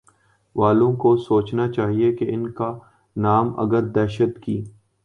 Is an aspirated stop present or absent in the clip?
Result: absent